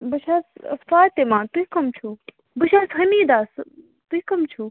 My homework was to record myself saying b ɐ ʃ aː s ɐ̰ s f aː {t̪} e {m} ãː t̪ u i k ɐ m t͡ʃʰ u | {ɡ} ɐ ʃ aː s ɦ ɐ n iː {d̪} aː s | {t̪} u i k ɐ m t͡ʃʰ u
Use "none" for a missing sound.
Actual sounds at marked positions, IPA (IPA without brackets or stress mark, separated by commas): t̪, m, b, d̪, t̪